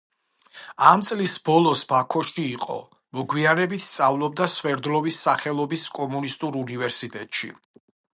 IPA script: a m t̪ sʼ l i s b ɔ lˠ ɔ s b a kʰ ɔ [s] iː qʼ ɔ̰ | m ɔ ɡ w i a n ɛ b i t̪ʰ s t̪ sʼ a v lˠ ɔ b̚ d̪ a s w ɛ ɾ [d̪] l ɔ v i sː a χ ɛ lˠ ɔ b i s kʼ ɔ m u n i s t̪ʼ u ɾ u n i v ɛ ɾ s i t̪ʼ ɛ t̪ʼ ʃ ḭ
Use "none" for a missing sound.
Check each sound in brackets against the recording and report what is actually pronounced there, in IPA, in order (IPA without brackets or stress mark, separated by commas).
ʃ, d̪